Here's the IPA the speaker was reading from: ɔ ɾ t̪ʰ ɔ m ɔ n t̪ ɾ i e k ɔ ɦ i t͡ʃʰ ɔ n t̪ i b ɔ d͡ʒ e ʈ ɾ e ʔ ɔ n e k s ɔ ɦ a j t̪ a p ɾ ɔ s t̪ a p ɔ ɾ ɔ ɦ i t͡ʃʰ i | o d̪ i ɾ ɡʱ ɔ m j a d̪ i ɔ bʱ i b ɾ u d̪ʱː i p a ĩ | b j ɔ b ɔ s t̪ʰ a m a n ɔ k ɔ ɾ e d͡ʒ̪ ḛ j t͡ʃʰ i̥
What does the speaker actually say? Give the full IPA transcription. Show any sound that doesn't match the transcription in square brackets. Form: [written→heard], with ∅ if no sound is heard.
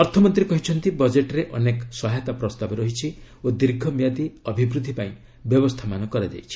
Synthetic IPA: ɔ ɾ t̪ʰ ɔ m ɔ n t̪ ɾ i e k ɔ ɦ i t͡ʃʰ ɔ n t̪ i b ɔ d͡ʒ e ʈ ɾ e ʔ ɔ n e k s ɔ ɦ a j t̪ a p ɾ ɔ s t̪ a [p→b] ɔ ɾ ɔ ɦ i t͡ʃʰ i | o d̪ i ɾ ɡʱ ɔ m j a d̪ i ɔ bʱ i b ɾ u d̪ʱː i p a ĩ | b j ɔ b ɔ s t̪ʰ a m a n ɔ k ɔ ɾ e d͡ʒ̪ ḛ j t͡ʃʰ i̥